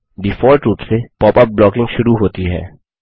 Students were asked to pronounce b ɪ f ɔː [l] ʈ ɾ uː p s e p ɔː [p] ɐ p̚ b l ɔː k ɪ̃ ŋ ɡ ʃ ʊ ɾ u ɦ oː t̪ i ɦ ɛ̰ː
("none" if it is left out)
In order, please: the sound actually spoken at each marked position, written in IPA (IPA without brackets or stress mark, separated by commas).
ɾ, p